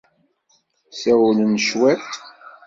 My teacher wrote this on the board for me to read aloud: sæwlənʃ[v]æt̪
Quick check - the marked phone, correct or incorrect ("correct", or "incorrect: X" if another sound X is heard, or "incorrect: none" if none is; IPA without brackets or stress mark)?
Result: incorrect: w